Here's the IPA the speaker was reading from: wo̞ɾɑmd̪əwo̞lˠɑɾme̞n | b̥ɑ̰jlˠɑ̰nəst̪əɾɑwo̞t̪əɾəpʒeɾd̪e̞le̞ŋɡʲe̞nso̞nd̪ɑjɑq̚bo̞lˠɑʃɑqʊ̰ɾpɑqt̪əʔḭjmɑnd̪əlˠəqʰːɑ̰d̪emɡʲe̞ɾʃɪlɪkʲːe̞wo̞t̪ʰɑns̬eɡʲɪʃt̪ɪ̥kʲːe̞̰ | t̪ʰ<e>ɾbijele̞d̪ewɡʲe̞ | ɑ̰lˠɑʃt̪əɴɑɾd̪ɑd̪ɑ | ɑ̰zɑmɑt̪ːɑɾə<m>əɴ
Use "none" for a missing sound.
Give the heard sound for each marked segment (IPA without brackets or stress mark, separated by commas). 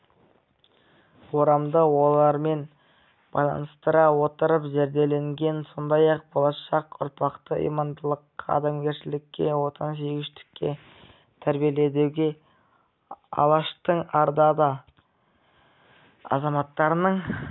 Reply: æ, n